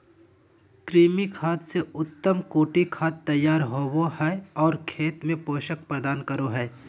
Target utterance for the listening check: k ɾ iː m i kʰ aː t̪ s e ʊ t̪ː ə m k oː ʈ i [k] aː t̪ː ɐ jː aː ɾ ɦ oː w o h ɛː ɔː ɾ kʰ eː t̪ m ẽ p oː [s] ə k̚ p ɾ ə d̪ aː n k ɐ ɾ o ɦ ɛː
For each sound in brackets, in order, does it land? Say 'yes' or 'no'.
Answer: no, no

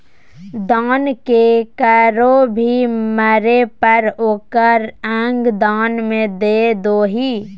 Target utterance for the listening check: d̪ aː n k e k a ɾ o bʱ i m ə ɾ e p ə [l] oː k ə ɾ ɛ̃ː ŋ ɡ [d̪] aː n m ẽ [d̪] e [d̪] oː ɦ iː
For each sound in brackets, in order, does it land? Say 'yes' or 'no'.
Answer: no, yes, yes, yes

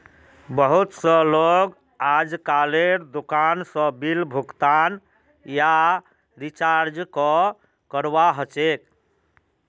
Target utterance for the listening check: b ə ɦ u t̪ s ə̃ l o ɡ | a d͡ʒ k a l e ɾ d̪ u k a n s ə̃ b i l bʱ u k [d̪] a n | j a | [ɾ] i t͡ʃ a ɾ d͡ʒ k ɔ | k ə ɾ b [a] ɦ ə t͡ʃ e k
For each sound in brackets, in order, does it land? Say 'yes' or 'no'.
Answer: no, yes, yes

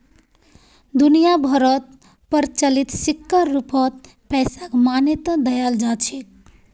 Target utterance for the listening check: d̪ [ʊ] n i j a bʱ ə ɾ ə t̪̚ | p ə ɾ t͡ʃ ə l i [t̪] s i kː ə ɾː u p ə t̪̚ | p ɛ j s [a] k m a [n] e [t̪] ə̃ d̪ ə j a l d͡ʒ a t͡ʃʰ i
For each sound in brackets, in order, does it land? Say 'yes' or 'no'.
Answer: no, yes, yes, yes, yes

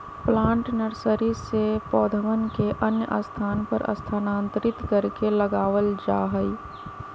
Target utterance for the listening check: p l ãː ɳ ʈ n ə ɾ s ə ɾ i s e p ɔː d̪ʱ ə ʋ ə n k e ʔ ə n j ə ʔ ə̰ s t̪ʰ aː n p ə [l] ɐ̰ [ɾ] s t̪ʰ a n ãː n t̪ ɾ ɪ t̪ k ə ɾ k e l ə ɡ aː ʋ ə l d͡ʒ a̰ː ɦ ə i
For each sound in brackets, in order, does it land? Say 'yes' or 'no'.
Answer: no, no

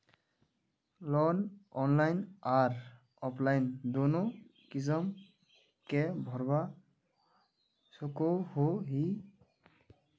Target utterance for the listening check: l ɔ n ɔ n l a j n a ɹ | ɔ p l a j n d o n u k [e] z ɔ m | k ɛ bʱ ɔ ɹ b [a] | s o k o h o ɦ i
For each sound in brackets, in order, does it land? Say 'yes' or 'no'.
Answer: no, yes

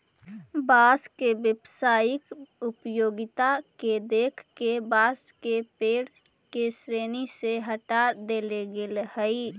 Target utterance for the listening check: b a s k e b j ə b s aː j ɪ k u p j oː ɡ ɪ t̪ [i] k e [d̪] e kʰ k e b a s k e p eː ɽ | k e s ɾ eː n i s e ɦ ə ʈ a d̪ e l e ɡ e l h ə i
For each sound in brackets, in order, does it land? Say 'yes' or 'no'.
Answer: no, yes

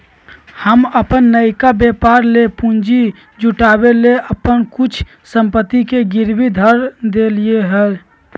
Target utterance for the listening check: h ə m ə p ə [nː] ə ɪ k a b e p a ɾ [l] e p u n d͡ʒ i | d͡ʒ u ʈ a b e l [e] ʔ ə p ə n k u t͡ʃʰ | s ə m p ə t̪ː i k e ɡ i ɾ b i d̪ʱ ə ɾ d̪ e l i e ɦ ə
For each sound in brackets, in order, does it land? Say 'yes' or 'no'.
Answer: yes, yes, yes

